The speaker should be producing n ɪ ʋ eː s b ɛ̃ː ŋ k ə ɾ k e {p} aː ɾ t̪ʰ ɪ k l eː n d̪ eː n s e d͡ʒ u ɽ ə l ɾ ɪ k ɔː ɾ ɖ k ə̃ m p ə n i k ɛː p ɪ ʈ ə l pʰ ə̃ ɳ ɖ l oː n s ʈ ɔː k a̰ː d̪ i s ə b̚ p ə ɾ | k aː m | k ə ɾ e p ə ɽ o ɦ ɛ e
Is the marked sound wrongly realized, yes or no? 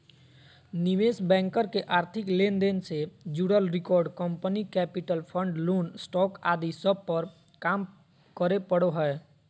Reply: yes